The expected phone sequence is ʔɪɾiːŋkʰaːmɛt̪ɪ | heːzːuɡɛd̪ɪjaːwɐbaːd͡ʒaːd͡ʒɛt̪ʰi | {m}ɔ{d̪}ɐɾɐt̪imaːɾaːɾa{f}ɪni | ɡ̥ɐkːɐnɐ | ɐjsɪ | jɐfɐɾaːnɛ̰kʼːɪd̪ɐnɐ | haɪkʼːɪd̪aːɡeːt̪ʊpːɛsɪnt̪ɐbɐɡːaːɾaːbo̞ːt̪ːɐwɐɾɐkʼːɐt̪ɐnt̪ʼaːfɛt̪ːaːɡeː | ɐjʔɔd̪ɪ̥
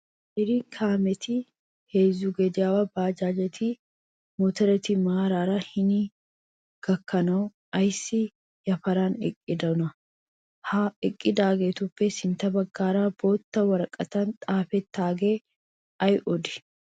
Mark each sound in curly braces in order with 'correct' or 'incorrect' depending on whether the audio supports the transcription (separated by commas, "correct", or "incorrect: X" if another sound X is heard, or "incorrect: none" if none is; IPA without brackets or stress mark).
correct, incorrect: t̪, incorrect: h